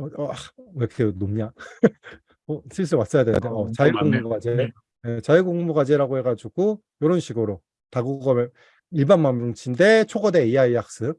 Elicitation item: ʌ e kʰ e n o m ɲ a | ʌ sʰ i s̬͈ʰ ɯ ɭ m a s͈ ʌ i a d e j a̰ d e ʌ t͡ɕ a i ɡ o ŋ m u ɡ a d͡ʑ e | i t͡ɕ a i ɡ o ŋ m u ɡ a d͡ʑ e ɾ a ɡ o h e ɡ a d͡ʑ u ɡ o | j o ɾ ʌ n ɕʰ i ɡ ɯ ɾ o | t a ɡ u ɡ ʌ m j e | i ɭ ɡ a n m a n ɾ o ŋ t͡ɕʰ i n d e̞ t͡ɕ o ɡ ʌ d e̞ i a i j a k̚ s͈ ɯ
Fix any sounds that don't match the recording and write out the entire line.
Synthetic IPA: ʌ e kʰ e n o m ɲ a | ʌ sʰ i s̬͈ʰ ɯ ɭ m a s͈ ʌ j a d e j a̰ d e ʌ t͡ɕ a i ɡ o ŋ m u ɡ a d͡ʑ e | e t͡ɕ a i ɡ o ŋ m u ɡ a d͡ʑ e ɾ a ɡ o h e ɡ a d͡ʑ u ɡ o | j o ɾ ʌ n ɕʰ i ɡ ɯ ɾ o | t a ɡ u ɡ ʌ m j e | i ɭ b a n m a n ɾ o ŋ t͡ɕʰ i n d e̞ t͡ɕʰ o ɡ ʌ d e̞ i a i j a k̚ s͈ ɯ